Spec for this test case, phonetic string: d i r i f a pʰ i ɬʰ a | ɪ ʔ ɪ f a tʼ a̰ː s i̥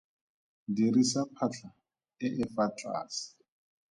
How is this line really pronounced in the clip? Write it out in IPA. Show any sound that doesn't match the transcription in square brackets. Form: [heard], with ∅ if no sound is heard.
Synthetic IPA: d i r i [s] a pʰ [a] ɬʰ a | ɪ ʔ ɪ f a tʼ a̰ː s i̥

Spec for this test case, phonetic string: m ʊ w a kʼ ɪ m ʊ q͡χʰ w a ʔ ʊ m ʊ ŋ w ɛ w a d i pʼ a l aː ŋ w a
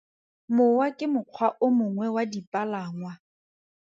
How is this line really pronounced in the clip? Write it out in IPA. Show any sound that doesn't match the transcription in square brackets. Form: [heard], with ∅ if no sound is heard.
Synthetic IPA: m ʊ w a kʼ ɪ m ʊ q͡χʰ w a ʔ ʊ m ʊ ŋ w ɛ w a d i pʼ a l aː ŋ w a

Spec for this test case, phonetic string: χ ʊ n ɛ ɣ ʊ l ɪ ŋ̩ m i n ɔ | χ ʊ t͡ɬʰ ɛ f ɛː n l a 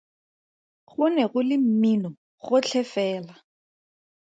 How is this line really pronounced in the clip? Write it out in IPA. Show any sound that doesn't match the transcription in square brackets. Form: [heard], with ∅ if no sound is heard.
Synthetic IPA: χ ʊ n ɛ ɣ ʊ l ɪ [m̩] m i n ɔ | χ ʊ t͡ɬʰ ɛ f ɛː [∅] l a

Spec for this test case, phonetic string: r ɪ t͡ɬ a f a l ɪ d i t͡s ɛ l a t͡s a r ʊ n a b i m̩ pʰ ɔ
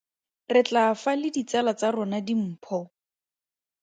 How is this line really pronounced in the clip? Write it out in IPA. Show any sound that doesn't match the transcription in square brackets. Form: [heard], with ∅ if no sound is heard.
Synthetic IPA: r ɪ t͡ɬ a f a l ɪ d i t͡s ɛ l a t͡s a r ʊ n a [d] i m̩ pʰ ɔ

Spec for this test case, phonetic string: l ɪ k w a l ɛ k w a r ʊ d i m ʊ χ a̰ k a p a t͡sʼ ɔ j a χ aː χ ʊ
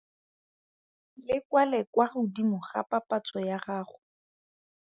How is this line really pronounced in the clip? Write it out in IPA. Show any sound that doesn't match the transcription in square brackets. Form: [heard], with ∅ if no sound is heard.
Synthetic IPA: l ɪ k w a l ɛ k w a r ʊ d i m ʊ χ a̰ [p] a p a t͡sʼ ɔ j a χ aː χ ʊ

